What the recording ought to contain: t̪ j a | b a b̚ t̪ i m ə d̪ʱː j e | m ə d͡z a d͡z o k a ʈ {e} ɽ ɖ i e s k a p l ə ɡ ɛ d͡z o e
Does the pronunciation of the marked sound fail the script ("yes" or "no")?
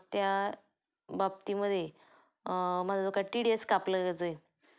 yes